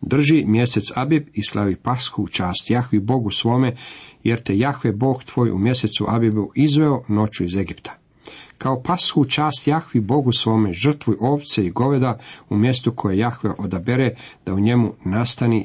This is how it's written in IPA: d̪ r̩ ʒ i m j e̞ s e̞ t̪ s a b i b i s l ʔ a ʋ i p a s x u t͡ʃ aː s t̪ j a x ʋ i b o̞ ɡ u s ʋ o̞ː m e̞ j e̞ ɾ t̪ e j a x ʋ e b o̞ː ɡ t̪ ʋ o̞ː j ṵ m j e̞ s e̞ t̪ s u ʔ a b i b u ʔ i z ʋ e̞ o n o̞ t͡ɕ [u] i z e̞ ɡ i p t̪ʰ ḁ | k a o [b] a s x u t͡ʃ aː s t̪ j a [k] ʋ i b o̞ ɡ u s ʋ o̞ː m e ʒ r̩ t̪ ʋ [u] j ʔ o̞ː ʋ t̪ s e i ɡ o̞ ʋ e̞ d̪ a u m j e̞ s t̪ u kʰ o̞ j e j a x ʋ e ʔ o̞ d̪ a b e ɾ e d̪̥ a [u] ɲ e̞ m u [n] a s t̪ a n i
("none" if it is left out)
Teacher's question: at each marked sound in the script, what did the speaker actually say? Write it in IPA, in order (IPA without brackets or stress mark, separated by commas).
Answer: u, p, x, u, u, n